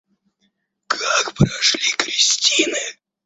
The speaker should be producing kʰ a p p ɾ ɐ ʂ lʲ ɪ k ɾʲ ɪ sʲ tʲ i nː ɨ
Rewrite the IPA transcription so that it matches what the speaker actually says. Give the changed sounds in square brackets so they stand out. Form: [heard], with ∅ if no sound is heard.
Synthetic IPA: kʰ a [k] p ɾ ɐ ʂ lʲ [i] k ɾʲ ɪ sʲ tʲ i [n] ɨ